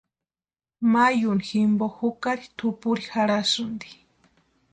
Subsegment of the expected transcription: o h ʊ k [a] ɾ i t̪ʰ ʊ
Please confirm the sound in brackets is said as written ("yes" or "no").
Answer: yes